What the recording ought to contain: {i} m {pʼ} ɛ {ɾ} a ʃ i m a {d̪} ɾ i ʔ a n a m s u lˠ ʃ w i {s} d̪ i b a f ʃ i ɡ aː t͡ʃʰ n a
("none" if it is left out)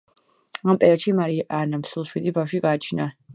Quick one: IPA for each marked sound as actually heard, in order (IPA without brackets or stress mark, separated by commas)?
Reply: a, pʼ, ɾ, none, none